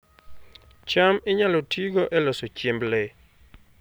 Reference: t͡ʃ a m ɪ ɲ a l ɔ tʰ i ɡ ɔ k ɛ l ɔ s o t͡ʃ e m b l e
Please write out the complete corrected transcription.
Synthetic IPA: t͡ʃ a m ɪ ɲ a l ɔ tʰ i ɡ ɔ ʔ ɛ l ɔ s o t͡ʃ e m b l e